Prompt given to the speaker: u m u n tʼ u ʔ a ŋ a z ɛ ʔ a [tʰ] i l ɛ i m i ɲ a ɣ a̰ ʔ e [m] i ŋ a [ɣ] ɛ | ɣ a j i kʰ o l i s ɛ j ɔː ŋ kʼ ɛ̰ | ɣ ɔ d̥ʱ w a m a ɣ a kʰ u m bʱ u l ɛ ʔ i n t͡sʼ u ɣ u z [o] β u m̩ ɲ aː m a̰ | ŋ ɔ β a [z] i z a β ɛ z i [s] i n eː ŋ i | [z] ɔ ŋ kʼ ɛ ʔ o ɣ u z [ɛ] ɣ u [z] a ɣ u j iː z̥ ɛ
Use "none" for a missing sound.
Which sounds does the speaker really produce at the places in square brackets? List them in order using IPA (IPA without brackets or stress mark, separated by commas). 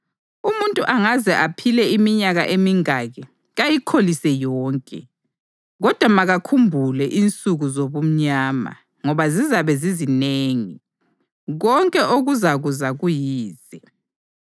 pʰ, m, ɣ, o, z, z, ɣ, a, z